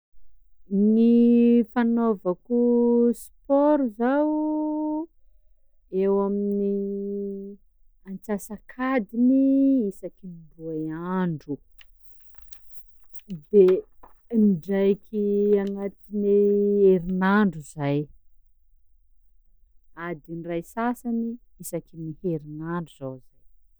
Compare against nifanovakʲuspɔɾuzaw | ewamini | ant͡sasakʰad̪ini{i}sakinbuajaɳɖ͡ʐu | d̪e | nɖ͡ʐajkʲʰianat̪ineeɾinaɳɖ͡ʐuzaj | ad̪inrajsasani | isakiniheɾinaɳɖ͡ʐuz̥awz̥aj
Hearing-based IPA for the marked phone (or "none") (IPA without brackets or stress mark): i